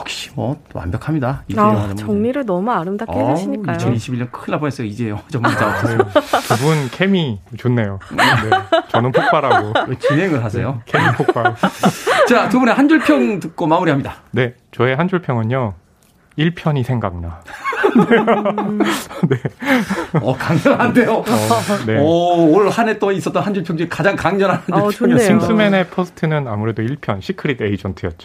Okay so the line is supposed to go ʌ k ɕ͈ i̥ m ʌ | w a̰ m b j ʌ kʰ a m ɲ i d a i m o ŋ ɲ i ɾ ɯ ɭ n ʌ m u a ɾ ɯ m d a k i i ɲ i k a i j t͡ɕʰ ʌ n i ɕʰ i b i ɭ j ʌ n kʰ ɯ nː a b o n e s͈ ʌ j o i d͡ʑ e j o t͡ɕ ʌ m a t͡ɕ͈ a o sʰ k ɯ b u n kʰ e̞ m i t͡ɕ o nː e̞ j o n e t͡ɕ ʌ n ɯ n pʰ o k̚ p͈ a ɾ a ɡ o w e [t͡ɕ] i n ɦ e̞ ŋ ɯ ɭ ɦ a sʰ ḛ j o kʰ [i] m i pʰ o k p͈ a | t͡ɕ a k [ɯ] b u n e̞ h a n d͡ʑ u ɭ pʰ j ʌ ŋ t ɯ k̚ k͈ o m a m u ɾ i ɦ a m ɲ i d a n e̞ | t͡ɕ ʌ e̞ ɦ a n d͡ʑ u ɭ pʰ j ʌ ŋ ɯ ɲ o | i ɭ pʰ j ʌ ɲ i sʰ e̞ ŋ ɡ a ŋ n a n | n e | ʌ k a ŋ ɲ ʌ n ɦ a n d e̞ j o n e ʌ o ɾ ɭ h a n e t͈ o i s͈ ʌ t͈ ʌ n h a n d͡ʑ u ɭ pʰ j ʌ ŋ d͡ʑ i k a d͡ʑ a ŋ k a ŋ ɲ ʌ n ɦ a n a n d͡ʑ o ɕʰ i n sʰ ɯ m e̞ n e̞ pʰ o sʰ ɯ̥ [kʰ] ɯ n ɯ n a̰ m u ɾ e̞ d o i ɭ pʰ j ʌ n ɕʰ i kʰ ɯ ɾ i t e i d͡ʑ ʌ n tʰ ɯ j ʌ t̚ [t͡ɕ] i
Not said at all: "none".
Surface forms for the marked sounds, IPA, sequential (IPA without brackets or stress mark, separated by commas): t͡ɕ, e, ɯ, tʰ, t͡ɕ